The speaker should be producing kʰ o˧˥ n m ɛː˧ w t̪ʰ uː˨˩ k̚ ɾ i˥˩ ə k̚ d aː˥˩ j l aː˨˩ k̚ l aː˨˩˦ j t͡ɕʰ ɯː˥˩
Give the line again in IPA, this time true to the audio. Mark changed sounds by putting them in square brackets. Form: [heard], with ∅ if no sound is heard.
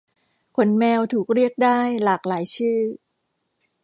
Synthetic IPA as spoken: kʰ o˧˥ n m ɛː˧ w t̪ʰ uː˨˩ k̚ ɾ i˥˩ ə k̚ d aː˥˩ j l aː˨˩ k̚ l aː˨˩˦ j t͡ɕʰ ɯː˥˩